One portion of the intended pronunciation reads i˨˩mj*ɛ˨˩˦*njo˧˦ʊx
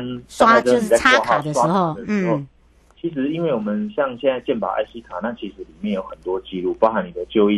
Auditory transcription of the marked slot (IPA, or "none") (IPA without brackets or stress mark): ɛ˥˩